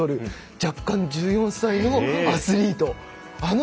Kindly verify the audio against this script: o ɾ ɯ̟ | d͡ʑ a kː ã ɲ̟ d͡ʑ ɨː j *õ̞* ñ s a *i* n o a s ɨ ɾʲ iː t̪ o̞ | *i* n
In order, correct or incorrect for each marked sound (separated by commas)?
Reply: correct, correct, incorrect